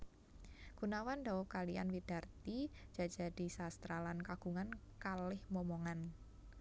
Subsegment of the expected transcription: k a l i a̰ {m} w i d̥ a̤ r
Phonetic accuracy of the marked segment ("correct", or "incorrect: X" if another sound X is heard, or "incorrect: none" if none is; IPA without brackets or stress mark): incorrect: n